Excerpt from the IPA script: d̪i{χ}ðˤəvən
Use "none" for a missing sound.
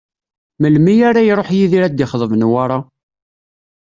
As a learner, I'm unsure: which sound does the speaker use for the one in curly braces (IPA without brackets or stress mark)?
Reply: χ